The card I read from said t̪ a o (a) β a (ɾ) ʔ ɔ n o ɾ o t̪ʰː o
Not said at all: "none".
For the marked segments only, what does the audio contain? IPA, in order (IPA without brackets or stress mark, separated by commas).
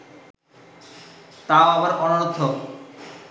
a, ɾ